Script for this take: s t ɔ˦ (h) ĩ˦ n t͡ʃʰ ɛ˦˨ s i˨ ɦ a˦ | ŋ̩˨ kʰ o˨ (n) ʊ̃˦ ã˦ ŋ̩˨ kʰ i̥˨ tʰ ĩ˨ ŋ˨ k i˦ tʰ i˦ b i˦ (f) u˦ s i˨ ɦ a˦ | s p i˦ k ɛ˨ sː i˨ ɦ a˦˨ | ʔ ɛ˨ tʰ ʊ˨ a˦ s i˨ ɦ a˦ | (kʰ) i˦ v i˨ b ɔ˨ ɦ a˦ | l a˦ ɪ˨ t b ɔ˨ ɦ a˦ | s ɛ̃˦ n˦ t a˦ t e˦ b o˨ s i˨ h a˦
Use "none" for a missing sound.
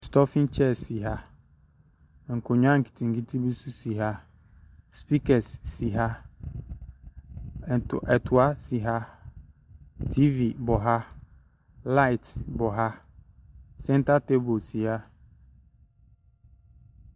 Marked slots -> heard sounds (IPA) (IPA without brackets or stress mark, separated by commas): f, ɲ, s, tʰ